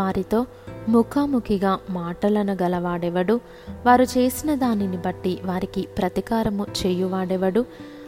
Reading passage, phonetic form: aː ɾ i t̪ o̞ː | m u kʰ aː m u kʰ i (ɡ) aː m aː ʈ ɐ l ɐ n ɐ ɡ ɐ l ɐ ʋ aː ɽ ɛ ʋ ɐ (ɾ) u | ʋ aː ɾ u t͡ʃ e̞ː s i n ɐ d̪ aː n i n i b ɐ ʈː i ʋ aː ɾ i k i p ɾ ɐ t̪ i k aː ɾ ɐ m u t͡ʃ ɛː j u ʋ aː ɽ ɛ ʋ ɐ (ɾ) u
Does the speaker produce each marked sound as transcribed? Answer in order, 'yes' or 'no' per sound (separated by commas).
yes, no, no